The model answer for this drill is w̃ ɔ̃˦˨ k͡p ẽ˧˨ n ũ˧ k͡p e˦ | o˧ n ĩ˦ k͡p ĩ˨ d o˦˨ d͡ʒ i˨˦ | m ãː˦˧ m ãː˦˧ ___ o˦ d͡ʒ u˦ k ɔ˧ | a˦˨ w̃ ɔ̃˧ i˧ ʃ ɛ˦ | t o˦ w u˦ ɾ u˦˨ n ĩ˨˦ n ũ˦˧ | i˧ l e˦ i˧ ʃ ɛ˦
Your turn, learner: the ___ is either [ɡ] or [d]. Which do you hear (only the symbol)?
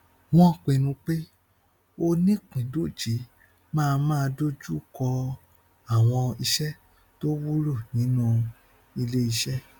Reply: d